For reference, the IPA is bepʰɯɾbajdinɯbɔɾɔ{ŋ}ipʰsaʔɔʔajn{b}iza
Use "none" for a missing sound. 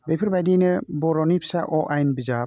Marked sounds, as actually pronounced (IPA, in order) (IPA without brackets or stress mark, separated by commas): n, b